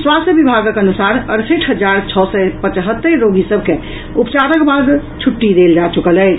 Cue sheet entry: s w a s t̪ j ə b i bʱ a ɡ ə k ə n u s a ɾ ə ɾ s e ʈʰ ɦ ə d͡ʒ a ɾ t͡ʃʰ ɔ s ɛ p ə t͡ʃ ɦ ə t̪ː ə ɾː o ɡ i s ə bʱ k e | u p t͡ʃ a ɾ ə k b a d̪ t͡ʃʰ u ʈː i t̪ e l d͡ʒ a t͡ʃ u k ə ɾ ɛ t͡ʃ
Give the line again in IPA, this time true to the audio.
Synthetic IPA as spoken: s w a s t̪ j ə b i bʱ a ɡ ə k ə n u s a ɾ ə ɾ s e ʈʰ ɦ ə d͡ʒ a ɾ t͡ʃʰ ɔ s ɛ p ə t͡ʃ ɦ ə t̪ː ə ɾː o ɡ i s ə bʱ k e | u p t͡ʃ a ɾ ə k b a d̪ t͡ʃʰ u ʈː i d̪ e l d͡ʒ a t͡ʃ u k ə l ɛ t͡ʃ

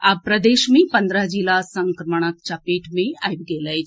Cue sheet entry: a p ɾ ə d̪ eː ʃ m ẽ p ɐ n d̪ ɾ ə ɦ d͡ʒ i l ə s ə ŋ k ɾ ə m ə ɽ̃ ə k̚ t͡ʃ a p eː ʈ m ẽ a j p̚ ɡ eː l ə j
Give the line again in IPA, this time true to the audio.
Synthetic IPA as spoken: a p ɾ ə d̪ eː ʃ m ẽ p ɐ n d̪ ɾ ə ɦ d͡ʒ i l a s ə ŋ k ɾ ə m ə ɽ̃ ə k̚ t͡ʃ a p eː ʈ m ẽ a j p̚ ɡ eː l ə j

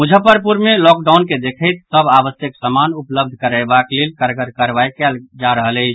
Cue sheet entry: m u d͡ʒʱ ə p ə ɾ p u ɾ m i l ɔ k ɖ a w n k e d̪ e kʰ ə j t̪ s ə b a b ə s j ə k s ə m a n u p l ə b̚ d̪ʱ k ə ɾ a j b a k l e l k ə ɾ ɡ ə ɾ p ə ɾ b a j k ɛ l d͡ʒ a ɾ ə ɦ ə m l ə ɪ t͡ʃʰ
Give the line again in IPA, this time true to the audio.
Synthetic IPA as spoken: m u d͡ʒʱ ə p ə ɾ p u ɾ m e l ɔ k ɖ a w n k e d̪ e kʰ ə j t̪ s ə b a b ə s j ə k s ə m a n u p l ə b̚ d̪ʱ k ə ɾ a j b a k l e l k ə ɾ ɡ ə ɾ k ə ɾ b a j k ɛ l d͡ʒ a ɾ ə ɦ ə l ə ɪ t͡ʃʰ

